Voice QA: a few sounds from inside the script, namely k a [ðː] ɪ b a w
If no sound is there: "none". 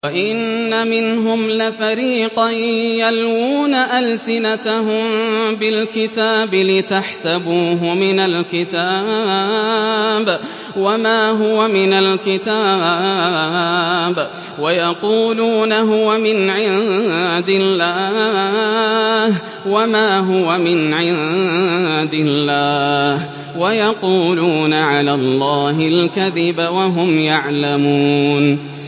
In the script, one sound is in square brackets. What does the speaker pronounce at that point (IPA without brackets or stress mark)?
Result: ð